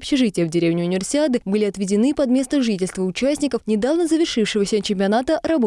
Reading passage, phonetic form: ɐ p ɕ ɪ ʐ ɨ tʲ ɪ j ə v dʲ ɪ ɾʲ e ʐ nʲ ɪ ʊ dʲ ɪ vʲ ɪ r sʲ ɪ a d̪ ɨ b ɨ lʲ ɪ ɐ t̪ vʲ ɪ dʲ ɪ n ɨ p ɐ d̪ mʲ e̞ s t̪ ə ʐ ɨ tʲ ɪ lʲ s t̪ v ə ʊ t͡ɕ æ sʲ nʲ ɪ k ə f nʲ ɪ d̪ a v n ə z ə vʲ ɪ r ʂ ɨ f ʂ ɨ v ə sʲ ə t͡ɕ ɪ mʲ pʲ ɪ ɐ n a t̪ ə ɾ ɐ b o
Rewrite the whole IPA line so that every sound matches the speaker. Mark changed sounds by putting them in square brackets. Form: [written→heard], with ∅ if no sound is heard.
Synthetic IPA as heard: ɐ p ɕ ɪ ʐ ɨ tʲ ɪ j ə v dʲ ɪ ɾʲ e [ʐ→v] nʲ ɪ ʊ [dʲ→nʲ] ɪ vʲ ɪ r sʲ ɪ a d̪ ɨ b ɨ lʲ ɪ ɐ t̪ vʲ ɪ dʲ ɪ n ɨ p ɐ d̪ mʲ e̞ s t̪ ə ʐ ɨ tʲ ɪ lʲ s t̪ v ə ʊ t͡ɕ æ sʲ nʲ ɪ k ə f nʲ ɪ d̪ a v n ə z ə vʲ ɪ r ʂ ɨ f ʂ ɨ v ə sʲ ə t͡ɕ ɪ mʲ pʲ ɪ ɐ n a t̪ ə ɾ ɐ b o